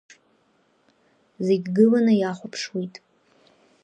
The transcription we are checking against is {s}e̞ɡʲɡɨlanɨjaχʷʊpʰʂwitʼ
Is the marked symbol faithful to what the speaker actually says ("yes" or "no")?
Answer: no